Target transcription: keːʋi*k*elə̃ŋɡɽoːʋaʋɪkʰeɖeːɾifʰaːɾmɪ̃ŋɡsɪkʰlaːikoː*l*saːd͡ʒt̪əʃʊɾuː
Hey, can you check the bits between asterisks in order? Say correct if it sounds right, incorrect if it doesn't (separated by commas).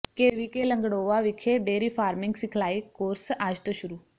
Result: correct, incorrect